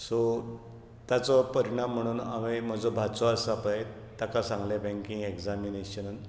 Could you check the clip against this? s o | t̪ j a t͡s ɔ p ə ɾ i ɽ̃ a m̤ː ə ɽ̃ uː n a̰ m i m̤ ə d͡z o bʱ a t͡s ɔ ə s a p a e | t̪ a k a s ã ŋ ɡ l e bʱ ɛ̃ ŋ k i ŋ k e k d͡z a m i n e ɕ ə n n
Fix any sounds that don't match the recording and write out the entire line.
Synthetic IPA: s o | t̪ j a t͡s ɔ p ə ɾ i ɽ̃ a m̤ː ə ɽ̃ uː n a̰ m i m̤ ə d͡z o bʱ a t͡s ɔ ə s a p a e | t̪ a k a s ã ŋ ɡ l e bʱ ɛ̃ ŋ k i ŋ ɡ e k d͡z a m i n e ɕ ə n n